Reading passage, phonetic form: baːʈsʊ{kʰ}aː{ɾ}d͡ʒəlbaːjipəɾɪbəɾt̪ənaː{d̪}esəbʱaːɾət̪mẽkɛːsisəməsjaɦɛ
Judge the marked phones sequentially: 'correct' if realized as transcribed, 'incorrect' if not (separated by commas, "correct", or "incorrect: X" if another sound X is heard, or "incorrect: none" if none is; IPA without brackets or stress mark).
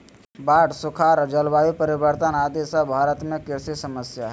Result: correct, correct, correct